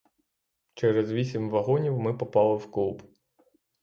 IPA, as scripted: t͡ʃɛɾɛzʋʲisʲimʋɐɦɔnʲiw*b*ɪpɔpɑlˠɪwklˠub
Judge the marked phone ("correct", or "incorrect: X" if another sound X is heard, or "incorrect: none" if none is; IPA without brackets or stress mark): incorrect: m